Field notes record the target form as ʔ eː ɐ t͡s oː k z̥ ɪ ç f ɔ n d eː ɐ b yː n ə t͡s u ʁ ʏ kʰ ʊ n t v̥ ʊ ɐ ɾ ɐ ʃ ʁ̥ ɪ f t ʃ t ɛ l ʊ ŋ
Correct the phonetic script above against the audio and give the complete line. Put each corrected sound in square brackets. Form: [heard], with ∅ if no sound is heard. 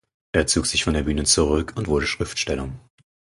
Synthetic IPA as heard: ʔ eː ɐ t͡s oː k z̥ ɪ ç f ɔ n d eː ɐ b yː n ə t͡s u ʁ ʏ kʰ ʊ n t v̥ ʊ ɐ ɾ [ə] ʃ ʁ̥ ɪ f t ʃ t ɛ l ʊ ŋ